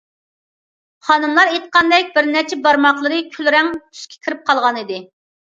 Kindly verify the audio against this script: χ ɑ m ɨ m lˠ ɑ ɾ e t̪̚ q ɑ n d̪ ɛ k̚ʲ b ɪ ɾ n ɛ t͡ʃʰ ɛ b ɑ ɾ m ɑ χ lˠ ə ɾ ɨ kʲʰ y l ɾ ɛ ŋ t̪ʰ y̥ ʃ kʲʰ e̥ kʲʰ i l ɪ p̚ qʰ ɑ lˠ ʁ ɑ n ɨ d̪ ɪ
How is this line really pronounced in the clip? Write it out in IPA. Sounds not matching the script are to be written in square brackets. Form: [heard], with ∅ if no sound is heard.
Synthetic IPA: χ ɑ [n] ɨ m lˠ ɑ ɾ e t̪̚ q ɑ n d̪ ɛ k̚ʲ b ɪ ɾ n ɛ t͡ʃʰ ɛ b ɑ ɾ m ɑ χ lˠ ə ɾ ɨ kʲʰ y l ɾ ɛ ŋ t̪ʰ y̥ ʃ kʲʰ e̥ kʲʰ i [ɾ] ɪ p̚ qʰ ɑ lˠ ʁ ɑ n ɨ d̪ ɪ

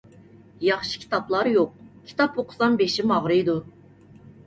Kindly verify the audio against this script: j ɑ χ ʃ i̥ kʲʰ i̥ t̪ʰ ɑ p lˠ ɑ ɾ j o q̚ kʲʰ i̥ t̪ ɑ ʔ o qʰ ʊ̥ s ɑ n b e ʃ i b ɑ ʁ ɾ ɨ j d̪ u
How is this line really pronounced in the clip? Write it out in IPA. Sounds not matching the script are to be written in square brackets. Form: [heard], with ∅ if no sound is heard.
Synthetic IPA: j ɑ χ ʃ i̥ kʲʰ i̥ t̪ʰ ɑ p lˠ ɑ ɾ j o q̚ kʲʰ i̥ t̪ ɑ [p] o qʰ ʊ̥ s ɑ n b e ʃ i [m] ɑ ʁ ɾ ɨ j d̪ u

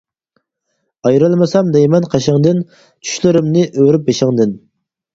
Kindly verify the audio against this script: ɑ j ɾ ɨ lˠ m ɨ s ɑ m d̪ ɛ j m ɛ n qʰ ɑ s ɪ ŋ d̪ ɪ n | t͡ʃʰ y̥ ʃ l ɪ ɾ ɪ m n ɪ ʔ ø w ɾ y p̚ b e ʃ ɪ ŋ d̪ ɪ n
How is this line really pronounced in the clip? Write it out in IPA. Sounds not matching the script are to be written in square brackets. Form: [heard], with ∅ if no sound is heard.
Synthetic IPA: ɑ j ɾ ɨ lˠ m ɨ s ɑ m d̪ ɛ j m ɛ n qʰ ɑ [ʃ] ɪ ŋ d̪ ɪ n | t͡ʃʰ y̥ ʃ l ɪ ɾ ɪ m n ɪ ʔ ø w ɾ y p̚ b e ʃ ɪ ŋ d̪ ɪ n

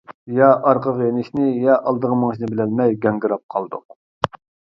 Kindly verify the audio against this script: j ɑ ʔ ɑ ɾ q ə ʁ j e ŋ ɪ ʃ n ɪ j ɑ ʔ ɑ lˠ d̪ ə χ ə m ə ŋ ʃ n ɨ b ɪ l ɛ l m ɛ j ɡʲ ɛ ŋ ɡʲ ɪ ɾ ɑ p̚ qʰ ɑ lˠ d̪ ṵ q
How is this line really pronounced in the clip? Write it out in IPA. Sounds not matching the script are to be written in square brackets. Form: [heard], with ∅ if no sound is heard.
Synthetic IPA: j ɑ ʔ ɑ ɾ q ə ʁ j e [n] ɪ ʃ n ɪ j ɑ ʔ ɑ lˠ d̪ ə [ʁ] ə m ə ŋ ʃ n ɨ b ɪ l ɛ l m ɛ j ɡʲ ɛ ŋ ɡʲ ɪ ɾ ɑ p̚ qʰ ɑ lˠ d̪ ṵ q

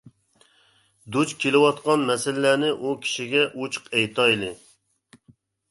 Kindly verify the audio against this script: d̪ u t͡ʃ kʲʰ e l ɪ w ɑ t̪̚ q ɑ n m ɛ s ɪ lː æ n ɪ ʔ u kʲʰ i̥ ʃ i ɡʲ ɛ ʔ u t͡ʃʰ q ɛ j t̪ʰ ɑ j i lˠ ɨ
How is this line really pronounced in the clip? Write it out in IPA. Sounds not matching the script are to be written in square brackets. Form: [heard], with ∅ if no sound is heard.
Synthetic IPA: d̪ u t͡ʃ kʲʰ e l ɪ w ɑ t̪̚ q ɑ n m ɛ s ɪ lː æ n ɪ ʔ u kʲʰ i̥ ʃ i ɡʲ ɛ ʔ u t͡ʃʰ q ɛ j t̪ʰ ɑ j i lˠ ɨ

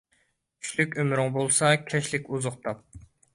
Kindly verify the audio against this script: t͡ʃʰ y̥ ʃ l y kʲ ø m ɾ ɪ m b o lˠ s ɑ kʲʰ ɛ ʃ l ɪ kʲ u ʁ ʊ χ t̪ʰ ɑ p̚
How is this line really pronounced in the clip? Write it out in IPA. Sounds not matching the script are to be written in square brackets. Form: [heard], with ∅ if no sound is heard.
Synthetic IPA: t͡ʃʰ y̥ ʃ l y kʲ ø m ɾ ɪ [ŋ] b o lˠ s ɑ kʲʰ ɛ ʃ l ɪ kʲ u [z] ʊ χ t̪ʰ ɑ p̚

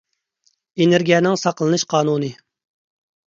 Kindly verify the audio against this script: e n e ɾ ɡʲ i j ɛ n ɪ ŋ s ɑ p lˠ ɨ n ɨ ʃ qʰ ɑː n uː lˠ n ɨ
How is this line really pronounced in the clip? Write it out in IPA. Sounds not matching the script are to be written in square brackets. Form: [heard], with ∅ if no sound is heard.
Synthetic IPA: e n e ɾ ɡʲ i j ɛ n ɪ ŋ s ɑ [q] lˠ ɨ n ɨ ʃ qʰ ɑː n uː [∅] n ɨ

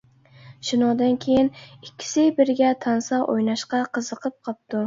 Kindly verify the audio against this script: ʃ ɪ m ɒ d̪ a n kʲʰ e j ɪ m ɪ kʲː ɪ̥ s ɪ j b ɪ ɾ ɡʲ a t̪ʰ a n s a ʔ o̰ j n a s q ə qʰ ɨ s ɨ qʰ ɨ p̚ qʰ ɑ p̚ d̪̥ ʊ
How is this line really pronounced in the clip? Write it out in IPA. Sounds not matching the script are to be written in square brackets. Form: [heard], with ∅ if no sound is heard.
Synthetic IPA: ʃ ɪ [n] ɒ d̪ a n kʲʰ e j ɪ [n] ɪ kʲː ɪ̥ s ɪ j b ɪ ɾ ɡʲ a t̪ʰ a n s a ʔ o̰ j n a [ʃ] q [ɑ] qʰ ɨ [z] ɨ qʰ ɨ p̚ qʰ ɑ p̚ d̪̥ ʊ

